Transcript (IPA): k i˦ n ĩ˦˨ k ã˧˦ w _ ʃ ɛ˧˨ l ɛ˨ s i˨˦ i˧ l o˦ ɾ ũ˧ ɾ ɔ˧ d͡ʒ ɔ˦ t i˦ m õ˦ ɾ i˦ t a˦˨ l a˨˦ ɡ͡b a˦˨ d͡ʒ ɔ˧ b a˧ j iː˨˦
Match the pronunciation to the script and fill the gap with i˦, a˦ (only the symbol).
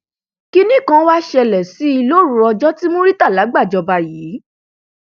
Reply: a˦